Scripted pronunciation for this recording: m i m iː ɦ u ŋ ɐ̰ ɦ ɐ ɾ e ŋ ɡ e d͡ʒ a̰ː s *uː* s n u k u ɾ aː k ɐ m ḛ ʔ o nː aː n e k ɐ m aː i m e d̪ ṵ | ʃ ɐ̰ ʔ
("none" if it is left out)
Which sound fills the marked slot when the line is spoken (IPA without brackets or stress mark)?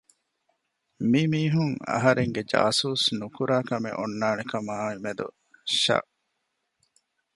uː